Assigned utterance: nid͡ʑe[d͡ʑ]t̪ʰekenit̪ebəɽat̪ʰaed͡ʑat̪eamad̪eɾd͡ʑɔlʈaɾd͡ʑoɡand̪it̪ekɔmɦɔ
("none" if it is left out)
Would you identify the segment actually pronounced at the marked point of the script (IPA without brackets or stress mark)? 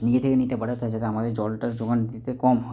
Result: none